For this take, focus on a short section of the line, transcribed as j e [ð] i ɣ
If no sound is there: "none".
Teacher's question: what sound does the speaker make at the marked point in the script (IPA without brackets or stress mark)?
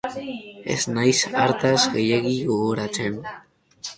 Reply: ɣ